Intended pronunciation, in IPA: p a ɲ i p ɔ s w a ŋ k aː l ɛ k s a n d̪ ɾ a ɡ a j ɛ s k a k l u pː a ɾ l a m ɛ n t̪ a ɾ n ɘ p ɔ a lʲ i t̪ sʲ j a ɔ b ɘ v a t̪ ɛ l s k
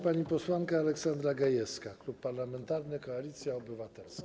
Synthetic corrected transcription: p a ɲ i p ɔ s w a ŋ k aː l ɛ k s a n d̪ ɾ a ɡ a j ɛ s k a k l u pː a ɾ l a m ɛ n t̪ a ɾ n ɘ k ɔ a lʲ i t̪ sʲ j a ɔ b ɘ v a t̪ ɛ l s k